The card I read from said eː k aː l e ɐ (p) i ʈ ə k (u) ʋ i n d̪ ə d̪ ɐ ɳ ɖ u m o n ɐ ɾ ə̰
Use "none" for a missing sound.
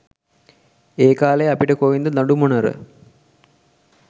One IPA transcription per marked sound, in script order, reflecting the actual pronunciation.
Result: p, o

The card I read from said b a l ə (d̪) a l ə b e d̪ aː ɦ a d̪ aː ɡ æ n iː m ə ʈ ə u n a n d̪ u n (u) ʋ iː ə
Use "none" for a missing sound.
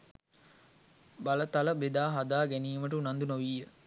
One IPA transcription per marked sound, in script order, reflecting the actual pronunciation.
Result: t̪, o

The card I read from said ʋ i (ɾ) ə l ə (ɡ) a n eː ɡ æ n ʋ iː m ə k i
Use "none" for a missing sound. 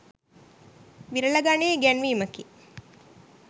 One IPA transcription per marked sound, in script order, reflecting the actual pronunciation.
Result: ɾ, ɡ

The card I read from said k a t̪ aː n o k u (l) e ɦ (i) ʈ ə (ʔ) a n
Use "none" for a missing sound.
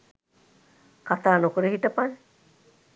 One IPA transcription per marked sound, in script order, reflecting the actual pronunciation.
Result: ɾ, i, p

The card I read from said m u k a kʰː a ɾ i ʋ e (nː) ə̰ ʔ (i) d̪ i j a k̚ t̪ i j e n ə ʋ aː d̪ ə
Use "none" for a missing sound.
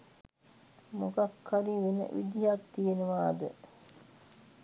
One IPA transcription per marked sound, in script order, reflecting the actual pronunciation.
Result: n, i

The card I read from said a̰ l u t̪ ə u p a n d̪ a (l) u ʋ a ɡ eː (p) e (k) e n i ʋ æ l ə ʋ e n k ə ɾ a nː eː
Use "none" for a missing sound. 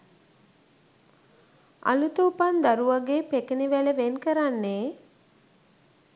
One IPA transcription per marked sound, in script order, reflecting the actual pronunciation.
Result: ɾ, p, k

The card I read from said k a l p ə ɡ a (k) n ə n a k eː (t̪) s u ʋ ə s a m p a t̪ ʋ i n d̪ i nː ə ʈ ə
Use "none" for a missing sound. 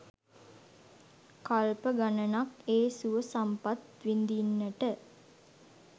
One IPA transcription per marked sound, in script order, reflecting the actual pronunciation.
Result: none, none

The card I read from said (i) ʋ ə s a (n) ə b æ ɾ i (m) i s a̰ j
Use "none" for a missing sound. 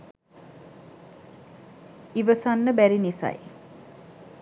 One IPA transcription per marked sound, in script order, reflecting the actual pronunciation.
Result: i, nː, n

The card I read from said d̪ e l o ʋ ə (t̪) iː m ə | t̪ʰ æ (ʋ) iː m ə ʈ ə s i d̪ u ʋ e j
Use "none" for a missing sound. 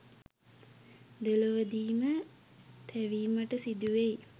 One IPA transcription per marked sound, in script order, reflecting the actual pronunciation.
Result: d̪, ʋ

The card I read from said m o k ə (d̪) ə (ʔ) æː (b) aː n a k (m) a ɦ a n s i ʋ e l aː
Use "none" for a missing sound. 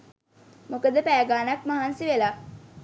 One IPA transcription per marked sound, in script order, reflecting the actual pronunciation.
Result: d̪, p, ɡ, m

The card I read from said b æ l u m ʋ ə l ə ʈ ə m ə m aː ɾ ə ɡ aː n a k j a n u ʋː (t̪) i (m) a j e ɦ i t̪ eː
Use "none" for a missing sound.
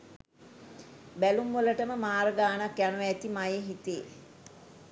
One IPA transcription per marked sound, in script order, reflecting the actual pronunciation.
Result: t̪, m

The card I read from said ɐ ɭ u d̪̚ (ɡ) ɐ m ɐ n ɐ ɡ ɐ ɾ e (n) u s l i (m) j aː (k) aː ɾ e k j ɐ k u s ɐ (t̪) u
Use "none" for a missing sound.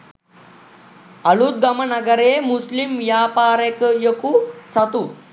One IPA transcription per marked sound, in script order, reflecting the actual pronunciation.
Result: ɡ, m, m, p, t̪

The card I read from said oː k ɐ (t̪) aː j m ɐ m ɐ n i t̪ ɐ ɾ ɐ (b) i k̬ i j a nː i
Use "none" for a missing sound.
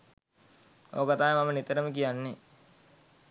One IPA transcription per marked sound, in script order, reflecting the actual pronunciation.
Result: t̪, m

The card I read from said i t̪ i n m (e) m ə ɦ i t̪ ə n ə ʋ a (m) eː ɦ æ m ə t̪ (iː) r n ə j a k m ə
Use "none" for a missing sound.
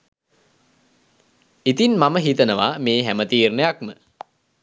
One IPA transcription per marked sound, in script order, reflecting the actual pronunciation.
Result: a, m, iː

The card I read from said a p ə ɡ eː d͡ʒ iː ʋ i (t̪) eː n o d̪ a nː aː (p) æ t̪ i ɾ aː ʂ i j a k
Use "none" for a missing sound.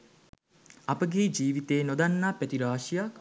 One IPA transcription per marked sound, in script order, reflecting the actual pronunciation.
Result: t̪, p

